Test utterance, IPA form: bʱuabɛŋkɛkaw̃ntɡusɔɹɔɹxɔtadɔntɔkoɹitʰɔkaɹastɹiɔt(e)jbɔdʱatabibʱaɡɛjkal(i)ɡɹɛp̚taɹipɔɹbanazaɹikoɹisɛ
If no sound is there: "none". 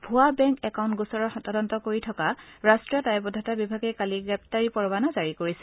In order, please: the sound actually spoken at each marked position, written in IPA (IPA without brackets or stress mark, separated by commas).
a, i